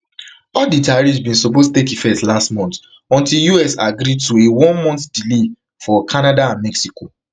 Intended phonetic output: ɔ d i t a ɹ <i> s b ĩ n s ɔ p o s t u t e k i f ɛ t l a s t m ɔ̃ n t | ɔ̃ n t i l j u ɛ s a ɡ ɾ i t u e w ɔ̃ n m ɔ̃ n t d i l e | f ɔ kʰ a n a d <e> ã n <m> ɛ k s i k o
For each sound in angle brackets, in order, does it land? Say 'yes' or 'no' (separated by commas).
yes, no, yes